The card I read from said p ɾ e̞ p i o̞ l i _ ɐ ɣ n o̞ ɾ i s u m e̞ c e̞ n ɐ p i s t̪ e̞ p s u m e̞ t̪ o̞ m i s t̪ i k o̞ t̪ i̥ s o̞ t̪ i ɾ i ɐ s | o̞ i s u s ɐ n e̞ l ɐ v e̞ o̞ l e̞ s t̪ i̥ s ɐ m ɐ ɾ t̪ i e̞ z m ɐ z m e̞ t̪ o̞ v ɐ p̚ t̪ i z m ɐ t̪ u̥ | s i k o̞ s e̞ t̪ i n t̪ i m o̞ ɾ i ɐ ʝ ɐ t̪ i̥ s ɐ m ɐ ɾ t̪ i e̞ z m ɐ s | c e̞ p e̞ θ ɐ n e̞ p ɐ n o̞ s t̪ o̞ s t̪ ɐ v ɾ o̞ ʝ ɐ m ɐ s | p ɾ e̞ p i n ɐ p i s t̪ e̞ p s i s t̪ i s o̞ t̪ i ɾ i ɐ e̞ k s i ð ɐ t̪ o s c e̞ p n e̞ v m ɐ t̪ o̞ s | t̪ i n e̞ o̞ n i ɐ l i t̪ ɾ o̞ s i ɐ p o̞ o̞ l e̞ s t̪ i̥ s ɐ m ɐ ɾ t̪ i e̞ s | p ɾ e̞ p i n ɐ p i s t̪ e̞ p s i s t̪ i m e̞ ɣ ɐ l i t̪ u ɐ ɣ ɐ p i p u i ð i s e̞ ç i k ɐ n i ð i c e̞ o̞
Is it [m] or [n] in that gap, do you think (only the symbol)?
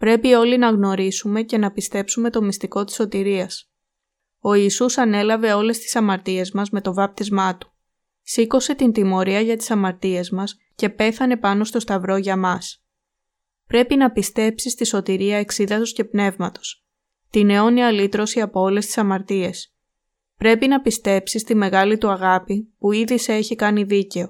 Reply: n